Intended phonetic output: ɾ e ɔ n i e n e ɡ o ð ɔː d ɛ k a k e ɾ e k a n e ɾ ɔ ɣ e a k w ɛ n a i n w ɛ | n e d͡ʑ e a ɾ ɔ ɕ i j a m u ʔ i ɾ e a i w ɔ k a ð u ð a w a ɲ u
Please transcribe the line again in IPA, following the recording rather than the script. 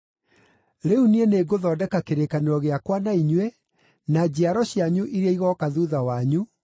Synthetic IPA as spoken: ɾ e u n i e n e ɡ o ð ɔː d ɛ k a k e ɾ e k a n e ɾ ɔ ɣ e a k w a n a i ɲ w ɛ | n a d͡ʑ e a ɾ ɔ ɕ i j a ɲ u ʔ i ɾ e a i ɣ ɔ k a ð u ð a w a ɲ u